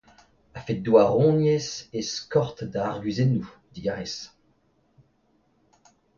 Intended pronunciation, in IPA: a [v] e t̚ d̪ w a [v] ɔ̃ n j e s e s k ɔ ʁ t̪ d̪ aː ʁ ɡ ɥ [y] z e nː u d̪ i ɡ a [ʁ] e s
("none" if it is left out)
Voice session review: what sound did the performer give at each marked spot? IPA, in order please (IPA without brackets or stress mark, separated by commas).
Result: f, ʁ, i, ʁ